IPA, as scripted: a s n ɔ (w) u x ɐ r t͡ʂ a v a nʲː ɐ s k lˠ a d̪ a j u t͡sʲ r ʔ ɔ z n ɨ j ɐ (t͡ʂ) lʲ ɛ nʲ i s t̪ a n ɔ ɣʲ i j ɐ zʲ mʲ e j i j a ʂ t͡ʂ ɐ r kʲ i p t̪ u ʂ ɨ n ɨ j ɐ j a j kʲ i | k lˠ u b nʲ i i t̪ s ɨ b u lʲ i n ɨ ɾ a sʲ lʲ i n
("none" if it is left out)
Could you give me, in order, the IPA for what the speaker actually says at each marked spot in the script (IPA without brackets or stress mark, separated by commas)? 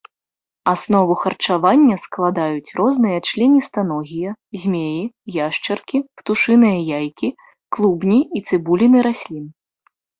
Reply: v, t͡ʂ